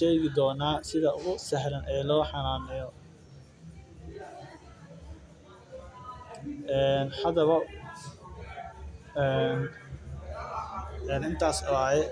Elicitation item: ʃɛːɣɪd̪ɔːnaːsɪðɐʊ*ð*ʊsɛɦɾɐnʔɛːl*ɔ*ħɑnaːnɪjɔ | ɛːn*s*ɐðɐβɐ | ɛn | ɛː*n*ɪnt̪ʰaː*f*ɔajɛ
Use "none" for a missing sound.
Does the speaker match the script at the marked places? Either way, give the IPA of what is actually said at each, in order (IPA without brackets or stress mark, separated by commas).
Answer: ɣ, ɔː, h, n, s